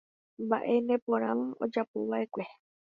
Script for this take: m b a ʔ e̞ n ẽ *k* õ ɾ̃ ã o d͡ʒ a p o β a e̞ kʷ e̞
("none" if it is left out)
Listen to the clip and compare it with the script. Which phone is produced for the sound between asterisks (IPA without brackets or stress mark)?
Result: p